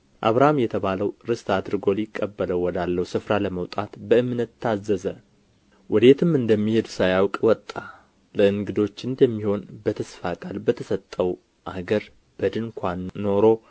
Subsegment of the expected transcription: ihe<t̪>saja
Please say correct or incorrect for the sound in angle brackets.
incorrect